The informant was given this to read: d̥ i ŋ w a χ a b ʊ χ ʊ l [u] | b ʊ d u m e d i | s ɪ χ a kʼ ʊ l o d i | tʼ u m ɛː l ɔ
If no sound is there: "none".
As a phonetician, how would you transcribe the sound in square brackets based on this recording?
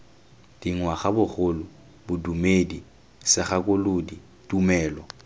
ʊ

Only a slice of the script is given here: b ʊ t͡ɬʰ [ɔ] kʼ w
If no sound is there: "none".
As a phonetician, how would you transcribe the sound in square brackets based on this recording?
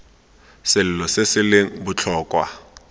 ɔː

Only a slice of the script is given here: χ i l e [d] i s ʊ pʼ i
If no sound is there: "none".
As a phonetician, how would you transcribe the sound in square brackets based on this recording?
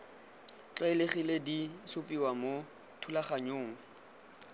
d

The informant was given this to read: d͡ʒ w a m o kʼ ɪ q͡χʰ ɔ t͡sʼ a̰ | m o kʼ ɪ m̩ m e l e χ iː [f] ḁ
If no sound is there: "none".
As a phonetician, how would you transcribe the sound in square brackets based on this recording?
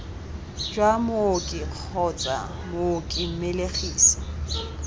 s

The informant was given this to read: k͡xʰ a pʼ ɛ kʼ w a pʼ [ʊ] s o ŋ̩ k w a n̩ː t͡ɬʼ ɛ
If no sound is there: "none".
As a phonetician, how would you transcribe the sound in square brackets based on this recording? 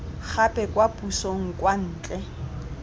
u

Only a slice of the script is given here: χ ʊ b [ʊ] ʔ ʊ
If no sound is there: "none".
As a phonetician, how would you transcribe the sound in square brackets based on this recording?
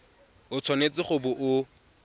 ʊ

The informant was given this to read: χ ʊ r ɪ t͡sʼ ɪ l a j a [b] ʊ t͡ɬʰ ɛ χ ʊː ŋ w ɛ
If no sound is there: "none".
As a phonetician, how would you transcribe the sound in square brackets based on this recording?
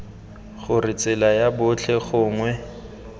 b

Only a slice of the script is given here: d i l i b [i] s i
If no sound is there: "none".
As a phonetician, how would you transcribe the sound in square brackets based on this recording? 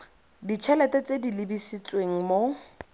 i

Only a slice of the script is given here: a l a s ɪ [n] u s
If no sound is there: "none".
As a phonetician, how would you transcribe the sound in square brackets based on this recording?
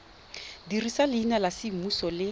m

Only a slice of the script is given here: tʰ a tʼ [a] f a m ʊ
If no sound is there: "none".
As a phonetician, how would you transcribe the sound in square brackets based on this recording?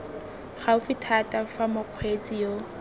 a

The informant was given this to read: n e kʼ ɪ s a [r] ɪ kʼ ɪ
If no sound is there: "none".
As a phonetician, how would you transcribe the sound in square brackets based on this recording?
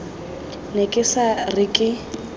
r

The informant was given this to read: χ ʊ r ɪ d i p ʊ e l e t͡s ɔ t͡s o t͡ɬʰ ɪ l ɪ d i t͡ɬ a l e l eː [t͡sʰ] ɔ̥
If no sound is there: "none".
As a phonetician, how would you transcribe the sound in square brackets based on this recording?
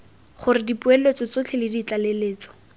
t͡s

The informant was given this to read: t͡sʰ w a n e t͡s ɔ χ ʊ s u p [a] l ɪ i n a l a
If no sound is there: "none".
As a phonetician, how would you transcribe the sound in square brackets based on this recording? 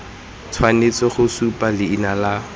a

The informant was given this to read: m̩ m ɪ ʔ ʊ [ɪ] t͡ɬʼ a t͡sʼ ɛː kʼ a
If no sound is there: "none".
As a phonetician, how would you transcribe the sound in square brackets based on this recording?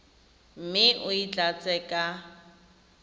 i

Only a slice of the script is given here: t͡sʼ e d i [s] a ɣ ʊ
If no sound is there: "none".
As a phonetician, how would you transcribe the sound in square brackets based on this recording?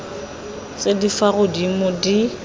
f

